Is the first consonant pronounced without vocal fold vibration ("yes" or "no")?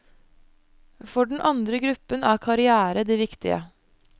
yes